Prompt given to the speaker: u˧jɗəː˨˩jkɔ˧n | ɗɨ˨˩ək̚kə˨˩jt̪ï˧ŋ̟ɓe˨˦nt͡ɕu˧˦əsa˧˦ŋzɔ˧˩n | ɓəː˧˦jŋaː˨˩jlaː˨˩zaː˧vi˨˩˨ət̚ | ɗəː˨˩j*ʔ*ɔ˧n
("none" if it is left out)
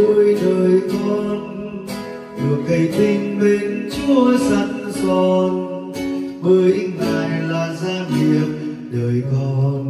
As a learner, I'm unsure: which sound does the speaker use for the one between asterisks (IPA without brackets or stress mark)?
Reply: k